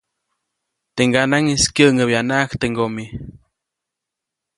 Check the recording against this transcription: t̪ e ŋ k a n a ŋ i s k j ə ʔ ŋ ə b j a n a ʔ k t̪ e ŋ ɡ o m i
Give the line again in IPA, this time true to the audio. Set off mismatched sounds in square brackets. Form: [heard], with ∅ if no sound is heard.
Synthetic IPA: t̪ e ŋ [ɡ] a n a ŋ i s k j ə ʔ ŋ ə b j a n a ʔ k t̪ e ŋ ɡ o m i